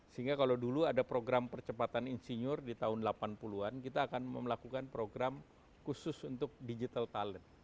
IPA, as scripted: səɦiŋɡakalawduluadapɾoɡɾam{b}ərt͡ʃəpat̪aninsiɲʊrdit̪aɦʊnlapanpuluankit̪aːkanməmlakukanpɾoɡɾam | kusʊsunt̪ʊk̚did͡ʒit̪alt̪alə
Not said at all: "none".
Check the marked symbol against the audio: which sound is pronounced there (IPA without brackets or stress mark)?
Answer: p